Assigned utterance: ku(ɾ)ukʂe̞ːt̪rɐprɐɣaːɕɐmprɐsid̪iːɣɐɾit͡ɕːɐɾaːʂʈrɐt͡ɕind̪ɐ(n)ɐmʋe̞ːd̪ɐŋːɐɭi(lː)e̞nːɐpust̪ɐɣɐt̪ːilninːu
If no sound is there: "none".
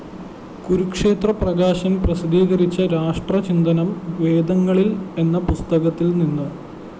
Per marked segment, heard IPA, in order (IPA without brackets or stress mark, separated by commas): ɾ, n, l